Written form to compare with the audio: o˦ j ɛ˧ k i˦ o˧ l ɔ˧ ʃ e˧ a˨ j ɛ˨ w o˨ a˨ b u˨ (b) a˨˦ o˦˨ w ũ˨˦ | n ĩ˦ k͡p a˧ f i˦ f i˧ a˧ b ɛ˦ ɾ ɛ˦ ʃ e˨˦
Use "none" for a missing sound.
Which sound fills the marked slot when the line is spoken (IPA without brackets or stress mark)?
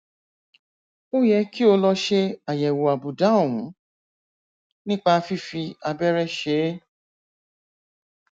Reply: d